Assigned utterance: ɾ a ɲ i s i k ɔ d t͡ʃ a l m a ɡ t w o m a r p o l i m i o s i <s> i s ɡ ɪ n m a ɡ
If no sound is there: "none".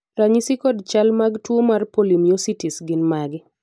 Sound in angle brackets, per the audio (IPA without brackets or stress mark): t